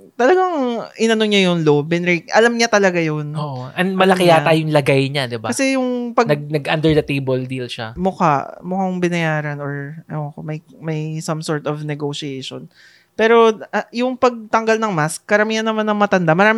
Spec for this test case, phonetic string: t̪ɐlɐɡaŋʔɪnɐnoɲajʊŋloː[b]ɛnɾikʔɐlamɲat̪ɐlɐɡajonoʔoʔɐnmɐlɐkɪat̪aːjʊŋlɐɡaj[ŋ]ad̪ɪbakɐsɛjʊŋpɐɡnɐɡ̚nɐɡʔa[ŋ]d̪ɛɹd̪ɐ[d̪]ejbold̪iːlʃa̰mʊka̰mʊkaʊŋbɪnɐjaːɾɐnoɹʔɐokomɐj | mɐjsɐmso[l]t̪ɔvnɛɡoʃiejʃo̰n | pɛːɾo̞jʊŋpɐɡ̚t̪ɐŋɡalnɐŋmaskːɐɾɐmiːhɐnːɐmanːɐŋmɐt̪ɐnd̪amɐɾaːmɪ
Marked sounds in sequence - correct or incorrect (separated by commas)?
correct, incorrect, incorrect, incorrect, incorrect